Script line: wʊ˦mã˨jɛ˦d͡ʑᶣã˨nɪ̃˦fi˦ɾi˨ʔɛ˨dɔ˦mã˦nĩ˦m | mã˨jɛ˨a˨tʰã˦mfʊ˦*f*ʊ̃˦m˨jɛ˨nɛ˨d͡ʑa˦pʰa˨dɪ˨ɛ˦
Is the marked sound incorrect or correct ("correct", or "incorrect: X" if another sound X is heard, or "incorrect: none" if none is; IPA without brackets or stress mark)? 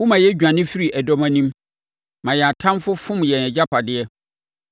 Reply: correct